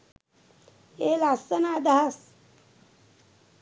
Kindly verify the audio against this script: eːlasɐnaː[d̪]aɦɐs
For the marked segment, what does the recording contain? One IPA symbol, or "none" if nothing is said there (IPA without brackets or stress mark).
d̪